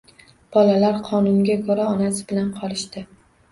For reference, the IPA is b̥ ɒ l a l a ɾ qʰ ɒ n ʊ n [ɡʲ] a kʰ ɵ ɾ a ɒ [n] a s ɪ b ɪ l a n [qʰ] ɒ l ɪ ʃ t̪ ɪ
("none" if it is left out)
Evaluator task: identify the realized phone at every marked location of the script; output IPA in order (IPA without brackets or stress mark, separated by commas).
ɡʲ, n, qʰ